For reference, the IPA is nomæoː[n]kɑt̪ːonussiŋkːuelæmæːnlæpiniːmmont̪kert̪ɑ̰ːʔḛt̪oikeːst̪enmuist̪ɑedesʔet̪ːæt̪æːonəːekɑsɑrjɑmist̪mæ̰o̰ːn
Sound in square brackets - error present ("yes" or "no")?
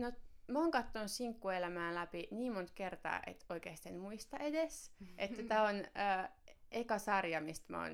yes